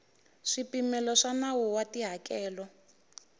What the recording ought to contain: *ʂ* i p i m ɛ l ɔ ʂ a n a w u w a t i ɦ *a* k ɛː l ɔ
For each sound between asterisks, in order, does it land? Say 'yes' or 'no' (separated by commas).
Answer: yes, yes